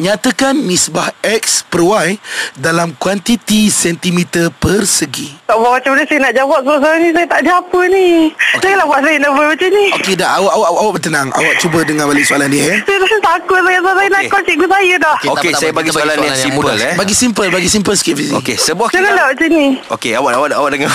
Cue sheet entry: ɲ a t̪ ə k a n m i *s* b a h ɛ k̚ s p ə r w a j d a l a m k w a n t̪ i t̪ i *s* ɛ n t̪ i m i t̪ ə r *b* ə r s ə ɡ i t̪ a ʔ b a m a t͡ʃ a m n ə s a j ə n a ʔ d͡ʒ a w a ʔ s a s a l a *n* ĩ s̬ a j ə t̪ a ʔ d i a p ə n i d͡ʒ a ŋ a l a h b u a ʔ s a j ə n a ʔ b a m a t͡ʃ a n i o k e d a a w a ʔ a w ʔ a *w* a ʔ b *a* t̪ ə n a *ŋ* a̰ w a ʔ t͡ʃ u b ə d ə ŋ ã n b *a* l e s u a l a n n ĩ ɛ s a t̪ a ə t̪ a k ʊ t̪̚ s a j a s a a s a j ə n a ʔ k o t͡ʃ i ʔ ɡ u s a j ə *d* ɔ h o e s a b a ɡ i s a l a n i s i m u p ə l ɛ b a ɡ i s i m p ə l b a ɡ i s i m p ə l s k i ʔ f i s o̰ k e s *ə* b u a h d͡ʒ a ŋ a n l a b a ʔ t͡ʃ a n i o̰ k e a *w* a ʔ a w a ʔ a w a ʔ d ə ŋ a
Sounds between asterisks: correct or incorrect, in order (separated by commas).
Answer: correct, correct, incorrect, correct, correct, incorrect, correct, correct, correct, correct, correct